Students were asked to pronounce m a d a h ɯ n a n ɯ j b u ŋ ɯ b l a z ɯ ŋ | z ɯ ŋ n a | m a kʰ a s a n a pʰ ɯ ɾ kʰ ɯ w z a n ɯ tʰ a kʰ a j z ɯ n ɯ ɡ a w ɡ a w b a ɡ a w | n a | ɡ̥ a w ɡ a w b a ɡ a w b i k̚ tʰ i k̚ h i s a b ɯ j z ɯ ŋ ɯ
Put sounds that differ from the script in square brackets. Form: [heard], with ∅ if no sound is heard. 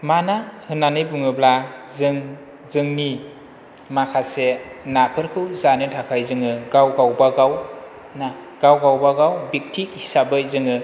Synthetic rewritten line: m a [n] a h ɯ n a n ɯ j b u ŋ ɯ b l a z ɯ ŋ | z ɯ ŋ n [i] | m a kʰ a s [e] n a pʰ ɯ ɾ kʰ ɯ w z a n ɯ tʰ a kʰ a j z ɯ [ŋ] ɯ ɡ a w ɡ a w b a ɡ a w | n a | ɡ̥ a w ɡ a w b a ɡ a w b i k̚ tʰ i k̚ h i s a b ɯ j z ɯ ŋ ɯ